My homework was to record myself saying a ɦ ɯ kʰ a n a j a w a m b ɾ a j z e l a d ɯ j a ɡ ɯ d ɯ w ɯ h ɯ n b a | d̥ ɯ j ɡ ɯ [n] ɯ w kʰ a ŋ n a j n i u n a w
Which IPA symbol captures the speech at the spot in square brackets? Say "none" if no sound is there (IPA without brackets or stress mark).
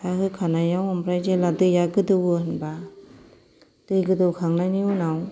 d